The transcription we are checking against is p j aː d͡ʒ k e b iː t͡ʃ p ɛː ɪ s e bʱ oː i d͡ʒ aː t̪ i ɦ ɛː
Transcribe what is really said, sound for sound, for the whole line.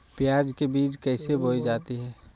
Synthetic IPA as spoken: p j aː d͡ʒ k e b iː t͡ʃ k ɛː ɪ s e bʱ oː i d͡ʒ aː t̪ i ɦ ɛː